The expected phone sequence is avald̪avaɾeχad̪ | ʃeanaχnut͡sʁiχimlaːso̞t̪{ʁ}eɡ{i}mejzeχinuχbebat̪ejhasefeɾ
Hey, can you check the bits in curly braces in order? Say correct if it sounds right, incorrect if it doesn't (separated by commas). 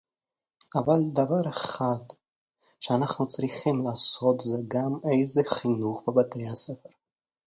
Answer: incorrect, incorrect